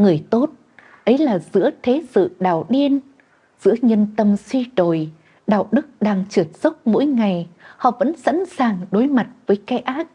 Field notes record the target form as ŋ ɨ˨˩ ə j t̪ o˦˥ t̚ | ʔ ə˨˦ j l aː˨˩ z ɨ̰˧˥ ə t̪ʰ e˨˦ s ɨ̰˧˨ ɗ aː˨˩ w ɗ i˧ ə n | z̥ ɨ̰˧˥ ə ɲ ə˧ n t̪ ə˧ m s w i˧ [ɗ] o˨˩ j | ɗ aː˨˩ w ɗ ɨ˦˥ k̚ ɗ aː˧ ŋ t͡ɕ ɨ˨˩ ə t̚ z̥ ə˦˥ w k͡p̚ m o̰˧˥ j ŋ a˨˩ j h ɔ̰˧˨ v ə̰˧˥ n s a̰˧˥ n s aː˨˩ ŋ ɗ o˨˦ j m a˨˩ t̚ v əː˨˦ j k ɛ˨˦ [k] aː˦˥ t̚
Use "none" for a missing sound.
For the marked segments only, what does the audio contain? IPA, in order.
ɗ, ʔ

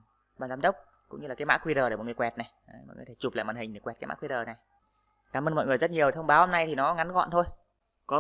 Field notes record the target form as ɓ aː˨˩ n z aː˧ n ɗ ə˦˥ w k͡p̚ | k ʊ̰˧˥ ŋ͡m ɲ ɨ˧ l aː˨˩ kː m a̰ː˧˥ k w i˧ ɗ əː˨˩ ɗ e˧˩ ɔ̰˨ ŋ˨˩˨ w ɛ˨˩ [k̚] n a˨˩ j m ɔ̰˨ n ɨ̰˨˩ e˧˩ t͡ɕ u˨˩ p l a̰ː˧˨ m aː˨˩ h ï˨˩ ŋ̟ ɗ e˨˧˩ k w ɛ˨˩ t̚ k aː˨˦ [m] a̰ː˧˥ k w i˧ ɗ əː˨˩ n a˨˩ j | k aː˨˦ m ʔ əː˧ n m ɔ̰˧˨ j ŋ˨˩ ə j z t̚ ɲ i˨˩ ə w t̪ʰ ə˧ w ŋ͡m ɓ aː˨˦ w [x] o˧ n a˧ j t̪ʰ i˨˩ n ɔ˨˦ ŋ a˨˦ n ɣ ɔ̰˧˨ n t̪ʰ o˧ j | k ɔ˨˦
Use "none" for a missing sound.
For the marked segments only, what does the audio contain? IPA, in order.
t̚, m, h

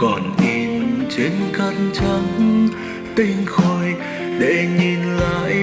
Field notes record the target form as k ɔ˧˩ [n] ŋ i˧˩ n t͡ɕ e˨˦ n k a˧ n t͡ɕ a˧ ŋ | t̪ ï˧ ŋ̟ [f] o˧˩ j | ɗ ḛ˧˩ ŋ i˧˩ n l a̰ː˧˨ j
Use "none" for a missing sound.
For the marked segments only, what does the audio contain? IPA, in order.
n, x

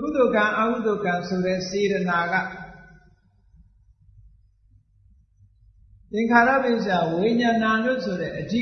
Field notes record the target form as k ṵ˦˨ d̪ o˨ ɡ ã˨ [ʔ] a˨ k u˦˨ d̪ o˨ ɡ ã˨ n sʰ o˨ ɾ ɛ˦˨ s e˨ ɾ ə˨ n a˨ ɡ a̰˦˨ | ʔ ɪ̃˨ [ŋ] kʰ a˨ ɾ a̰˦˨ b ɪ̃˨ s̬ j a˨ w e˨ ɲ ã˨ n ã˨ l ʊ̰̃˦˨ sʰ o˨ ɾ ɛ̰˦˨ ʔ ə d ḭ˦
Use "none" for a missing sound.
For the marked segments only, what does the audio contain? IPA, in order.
ʔ, ŋ

